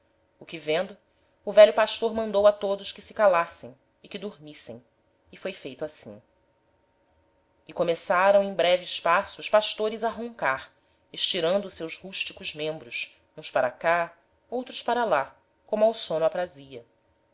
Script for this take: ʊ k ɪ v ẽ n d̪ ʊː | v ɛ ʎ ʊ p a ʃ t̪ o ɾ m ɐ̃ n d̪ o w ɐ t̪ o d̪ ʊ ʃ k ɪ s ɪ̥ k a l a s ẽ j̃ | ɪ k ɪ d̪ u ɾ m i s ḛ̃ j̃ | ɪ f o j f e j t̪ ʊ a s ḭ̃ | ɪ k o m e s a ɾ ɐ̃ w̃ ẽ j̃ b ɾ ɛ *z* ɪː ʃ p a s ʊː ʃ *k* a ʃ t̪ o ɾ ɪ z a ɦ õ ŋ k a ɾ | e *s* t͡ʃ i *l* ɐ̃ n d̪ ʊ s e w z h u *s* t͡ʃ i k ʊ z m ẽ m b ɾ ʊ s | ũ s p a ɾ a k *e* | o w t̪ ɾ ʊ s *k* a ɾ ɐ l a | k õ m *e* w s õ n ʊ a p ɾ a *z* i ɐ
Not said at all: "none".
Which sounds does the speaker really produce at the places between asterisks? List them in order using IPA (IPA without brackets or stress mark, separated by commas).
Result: v, p, ʃ, ɾ, ʃ, a, p, a, z